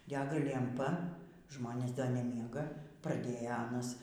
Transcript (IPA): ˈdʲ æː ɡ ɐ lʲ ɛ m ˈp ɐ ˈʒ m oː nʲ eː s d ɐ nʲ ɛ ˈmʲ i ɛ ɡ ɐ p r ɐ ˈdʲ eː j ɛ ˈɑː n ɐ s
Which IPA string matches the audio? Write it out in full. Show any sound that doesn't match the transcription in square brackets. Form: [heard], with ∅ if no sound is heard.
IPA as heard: ˈdʲ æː ɡ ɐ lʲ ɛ m ˈp ɐ ˈʒ m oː nʲ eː s d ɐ nʲ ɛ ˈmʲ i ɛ ɡ ɐ p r ɐ ˈdʲ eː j ɛ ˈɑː n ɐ s